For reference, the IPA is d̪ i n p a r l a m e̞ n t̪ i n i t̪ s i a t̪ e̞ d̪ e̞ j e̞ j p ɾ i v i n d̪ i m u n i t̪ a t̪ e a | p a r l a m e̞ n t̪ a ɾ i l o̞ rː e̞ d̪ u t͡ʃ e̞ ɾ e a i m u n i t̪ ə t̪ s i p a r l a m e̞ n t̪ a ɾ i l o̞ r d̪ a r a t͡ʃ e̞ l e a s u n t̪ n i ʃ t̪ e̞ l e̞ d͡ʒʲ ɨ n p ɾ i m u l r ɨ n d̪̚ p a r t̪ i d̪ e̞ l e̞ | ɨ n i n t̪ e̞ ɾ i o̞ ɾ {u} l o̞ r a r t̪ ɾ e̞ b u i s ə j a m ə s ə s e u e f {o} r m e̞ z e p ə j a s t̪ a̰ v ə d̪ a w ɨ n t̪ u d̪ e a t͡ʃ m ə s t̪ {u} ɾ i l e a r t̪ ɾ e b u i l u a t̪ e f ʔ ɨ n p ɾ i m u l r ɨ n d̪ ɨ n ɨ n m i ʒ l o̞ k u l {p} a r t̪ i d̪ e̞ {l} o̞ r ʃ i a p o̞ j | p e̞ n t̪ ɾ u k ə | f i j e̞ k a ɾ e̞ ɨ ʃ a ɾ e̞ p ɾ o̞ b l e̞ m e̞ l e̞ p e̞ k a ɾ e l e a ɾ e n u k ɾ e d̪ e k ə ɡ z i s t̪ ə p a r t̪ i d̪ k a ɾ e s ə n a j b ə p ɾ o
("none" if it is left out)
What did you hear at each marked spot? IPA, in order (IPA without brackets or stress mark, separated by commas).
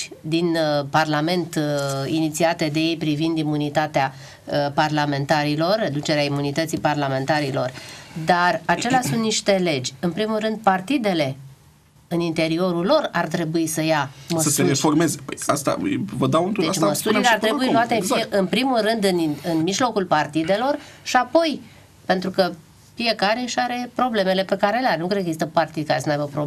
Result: u, o, u, p, l